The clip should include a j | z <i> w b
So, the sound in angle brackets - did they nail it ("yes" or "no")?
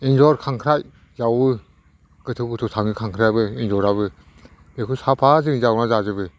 no